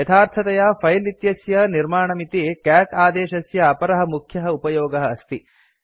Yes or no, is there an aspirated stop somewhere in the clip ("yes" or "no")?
yes